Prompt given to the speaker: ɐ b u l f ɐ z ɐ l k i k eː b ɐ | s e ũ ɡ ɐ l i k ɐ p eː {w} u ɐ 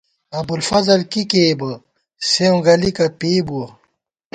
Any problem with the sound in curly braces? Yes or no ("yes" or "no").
yes